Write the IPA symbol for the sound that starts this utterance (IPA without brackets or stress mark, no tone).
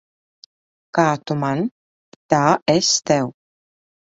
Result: k